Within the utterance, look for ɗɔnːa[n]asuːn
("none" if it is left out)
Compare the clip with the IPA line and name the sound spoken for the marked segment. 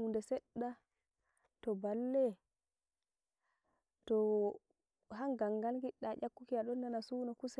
n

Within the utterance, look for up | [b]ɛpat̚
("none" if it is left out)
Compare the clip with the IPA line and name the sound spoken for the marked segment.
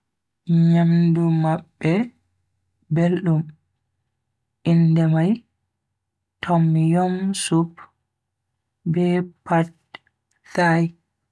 b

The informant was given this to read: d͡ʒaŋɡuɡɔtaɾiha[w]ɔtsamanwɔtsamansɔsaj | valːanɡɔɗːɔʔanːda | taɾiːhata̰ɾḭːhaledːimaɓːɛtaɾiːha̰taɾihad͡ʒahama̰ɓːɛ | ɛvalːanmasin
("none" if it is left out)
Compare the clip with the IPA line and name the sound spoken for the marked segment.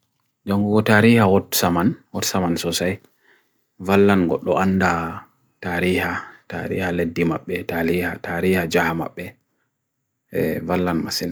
w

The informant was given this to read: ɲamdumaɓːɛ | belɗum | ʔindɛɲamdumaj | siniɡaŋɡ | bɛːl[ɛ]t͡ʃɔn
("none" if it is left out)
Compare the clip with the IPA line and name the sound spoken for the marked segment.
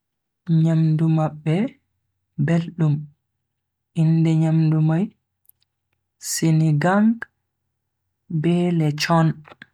ɛ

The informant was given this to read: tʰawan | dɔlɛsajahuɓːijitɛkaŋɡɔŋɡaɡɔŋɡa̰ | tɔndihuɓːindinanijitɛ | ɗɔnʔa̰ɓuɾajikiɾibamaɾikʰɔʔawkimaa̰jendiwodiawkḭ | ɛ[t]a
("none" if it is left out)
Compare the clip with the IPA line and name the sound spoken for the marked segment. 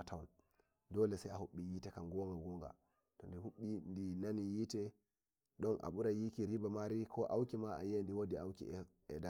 d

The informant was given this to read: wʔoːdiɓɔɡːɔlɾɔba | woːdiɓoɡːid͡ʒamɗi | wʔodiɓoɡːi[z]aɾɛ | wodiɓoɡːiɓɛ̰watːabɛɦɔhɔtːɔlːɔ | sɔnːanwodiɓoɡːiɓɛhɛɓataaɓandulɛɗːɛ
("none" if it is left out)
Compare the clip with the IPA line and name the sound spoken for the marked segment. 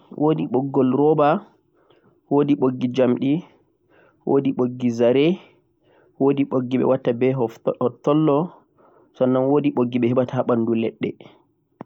z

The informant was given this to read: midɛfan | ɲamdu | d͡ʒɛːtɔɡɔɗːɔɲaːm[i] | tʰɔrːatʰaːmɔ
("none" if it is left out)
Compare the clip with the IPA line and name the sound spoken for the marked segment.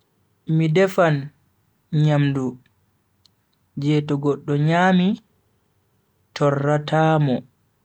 i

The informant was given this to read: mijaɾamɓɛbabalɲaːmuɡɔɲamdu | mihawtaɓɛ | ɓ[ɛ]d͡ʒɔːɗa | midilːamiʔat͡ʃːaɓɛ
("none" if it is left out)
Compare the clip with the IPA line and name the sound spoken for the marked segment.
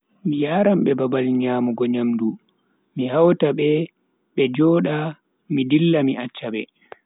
ɛ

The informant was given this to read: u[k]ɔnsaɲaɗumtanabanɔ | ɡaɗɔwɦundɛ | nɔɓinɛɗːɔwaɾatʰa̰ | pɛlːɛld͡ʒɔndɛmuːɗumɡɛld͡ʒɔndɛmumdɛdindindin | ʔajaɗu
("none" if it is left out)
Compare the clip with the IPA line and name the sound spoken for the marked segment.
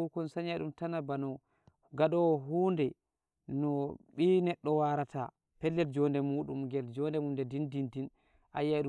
k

